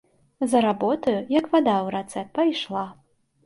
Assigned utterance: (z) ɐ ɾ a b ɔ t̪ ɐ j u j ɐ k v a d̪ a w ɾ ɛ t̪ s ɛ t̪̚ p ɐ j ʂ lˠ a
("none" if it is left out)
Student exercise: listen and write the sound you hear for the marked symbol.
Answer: z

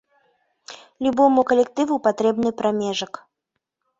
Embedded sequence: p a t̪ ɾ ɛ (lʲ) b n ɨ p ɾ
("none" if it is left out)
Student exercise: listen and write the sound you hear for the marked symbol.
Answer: none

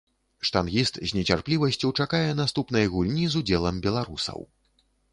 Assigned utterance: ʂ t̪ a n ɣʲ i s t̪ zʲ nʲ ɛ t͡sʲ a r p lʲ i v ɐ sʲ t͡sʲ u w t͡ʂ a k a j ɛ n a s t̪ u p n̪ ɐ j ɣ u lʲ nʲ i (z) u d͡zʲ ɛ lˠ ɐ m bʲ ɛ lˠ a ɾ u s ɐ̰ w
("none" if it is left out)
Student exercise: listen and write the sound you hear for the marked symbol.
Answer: z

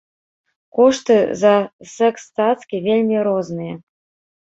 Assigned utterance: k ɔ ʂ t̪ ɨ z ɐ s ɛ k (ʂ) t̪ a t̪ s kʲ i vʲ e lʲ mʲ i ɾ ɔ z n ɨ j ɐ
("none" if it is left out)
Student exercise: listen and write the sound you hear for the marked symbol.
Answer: s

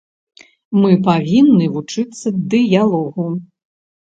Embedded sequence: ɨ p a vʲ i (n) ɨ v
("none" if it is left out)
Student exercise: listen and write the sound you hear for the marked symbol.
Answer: nː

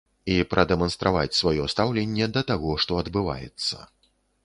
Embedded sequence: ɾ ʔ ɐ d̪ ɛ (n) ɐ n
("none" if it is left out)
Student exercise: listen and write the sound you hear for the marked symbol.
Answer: m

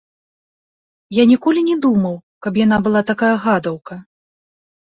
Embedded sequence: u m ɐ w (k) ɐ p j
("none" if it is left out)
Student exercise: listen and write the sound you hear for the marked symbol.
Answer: k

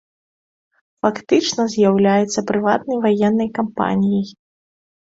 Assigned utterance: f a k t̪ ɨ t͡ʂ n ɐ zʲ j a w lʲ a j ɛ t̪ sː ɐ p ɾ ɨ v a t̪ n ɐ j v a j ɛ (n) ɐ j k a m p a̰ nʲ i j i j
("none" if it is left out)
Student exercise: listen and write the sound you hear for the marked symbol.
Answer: nː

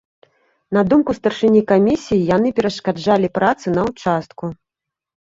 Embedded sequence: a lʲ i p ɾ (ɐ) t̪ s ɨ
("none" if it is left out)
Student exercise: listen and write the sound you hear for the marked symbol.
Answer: a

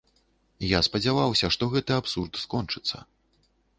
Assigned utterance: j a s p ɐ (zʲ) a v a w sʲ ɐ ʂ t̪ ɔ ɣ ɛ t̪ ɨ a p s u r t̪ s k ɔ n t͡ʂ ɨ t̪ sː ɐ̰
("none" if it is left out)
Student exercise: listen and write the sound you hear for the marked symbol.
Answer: d͡zʲ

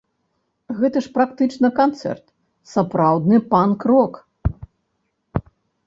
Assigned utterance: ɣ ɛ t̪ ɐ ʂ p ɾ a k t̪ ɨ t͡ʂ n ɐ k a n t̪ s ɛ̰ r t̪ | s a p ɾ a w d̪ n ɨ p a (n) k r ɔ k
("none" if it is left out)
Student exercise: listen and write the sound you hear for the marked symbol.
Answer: n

